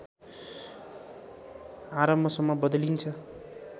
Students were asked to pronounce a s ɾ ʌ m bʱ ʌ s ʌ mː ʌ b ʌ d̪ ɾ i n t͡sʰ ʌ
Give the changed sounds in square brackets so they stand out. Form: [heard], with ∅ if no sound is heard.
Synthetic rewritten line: a [∅] ɾ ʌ m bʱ ʌ s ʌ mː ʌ b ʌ d̪ [l] i n t͡sʰ ʌ